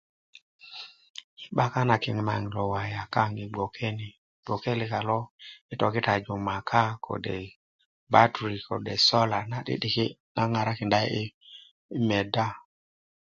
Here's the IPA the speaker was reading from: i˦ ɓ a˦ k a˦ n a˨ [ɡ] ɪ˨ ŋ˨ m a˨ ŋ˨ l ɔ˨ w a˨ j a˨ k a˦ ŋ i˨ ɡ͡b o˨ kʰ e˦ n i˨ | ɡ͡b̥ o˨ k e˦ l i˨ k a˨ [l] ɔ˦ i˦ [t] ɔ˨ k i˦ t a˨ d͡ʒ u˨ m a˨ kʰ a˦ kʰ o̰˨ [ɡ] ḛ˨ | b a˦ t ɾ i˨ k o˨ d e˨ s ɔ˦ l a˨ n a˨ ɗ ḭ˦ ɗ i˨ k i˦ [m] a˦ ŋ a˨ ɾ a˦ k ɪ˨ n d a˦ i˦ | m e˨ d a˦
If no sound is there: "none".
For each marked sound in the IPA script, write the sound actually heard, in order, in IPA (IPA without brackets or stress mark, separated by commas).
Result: k, l, t, d, n